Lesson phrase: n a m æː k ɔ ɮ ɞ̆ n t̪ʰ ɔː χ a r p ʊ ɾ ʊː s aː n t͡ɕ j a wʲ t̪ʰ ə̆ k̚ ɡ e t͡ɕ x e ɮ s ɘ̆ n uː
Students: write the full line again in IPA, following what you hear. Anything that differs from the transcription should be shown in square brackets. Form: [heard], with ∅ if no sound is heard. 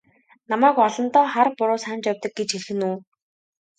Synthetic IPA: n a m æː k ɔ ɮ ɞ̆ n [t̪] ɔː χ a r p ʊ ɾ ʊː s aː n t͡ɕ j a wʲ [t̪] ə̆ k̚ ɡ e t͡ɕ x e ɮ [x] ɘ̆ n uː